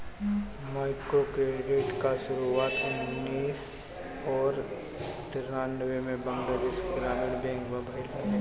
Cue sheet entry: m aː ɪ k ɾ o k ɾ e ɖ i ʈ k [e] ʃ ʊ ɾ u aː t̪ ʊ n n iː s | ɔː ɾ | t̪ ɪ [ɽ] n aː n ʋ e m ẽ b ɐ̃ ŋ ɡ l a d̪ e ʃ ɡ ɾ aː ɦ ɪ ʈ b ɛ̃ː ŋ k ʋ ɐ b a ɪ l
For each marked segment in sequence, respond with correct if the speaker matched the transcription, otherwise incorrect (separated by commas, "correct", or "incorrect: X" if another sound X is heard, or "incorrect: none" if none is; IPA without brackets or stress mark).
incorrect: a, incorrect: ɾ